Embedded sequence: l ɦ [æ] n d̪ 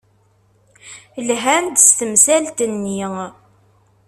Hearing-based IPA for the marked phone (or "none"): æ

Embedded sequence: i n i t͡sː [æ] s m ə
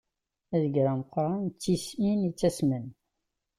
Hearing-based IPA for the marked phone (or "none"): æ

